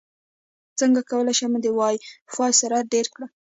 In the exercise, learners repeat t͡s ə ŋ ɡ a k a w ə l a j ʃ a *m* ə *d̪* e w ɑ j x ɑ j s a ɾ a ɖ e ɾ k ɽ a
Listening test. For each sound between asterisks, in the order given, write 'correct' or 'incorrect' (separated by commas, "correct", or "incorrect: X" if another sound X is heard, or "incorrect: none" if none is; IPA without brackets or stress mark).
correct, correct